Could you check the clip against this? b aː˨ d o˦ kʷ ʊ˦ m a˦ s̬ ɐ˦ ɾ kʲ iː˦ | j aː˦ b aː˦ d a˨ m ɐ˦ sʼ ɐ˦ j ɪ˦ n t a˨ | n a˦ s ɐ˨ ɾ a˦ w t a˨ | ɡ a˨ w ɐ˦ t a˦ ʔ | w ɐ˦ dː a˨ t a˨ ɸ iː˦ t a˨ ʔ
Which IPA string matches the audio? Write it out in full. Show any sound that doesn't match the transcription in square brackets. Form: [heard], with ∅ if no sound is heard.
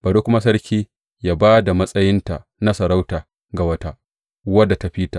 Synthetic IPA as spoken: b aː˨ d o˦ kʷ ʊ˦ m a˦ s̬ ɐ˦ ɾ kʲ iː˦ | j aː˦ b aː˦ d a˨ m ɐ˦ sʼ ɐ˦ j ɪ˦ n t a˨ | n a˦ s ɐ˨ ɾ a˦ w t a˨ | ɡ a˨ w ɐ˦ t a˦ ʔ | w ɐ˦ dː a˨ t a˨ ɸ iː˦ t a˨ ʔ